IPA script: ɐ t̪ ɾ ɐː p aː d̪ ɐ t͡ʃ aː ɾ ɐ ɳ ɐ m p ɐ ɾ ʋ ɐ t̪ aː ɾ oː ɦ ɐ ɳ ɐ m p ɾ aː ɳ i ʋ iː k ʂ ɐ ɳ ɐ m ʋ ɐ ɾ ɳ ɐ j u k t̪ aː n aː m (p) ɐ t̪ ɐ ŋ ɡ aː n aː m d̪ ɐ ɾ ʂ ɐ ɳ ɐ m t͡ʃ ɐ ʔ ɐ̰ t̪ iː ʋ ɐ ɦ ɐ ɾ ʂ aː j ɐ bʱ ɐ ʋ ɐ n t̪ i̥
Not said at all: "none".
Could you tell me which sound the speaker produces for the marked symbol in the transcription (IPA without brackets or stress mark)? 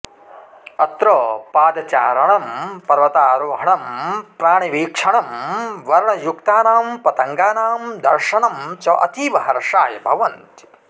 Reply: p